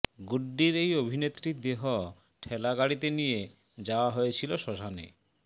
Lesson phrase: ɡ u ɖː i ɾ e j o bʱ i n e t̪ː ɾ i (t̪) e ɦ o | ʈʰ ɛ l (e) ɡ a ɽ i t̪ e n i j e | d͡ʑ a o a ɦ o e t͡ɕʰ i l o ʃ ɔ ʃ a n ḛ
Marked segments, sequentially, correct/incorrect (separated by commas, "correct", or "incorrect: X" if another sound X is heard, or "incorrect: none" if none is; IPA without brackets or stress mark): incorrect: d̪, incorrect: a